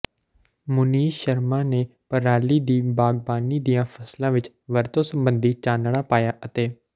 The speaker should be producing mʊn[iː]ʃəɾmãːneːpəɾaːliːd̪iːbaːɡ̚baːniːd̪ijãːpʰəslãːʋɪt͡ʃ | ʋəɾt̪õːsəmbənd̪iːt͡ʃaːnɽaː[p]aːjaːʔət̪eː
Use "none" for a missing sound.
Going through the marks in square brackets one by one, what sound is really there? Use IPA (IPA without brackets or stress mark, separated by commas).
iː, p